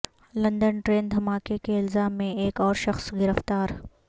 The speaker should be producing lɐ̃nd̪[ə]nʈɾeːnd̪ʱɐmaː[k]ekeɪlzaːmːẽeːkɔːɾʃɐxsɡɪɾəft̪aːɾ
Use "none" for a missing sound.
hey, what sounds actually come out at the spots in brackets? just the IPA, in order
ə, k

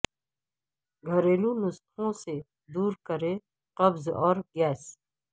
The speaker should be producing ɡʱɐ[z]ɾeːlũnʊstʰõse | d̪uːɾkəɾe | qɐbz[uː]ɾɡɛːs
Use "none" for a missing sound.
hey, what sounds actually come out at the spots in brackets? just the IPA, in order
none, ɔː

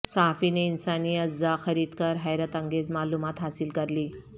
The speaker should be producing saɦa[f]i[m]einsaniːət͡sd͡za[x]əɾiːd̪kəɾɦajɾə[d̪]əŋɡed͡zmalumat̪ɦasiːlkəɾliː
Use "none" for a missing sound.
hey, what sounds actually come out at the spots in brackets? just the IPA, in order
f, n, x, t̪

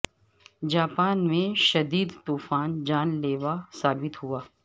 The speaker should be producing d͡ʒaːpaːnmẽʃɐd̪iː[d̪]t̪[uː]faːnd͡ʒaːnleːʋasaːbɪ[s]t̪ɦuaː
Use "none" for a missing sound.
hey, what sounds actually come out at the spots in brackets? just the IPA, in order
d̪, uː, none

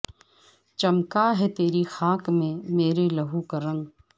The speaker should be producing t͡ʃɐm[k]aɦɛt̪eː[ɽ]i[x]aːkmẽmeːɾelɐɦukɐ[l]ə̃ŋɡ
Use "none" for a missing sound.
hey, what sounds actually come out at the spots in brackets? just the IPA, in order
k, ɾ, x, ɾ

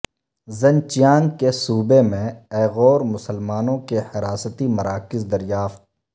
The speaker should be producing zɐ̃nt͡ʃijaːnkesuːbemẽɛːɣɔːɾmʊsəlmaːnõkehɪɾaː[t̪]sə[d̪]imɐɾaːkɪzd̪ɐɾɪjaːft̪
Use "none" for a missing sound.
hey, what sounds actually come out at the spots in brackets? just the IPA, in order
none, t̪

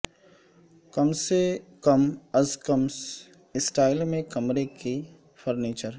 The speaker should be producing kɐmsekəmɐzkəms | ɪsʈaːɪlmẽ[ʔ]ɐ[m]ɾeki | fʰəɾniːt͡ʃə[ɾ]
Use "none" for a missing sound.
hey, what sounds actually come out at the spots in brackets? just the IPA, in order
k, m, ɾ

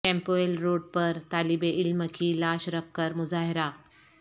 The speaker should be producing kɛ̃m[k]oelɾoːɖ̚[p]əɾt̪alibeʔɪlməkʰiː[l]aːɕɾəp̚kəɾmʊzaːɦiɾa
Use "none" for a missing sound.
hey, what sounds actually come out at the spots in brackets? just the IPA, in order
p, p, l

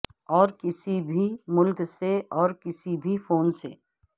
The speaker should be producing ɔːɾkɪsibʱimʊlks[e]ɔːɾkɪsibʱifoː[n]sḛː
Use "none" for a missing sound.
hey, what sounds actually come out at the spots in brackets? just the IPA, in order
e, n

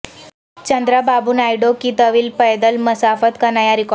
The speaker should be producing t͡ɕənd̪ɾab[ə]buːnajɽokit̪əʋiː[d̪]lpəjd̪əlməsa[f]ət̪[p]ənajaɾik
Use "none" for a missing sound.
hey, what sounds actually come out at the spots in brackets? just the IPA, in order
a, none, f, k

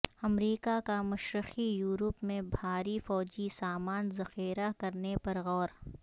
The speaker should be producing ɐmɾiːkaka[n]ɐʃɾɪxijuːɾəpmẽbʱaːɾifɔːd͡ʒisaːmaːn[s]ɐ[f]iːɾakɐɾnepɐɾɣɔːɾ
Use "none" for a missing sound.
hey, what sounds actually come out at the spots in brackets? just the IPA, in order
m, z, x

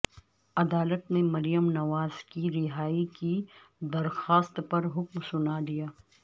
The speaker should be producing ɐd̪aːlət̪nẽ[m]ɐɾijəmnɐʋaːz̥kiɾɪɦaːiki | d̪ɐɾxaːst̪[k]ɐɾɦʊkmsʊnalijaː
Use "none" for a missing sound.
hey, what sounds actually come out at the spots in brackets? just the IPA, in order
m, p

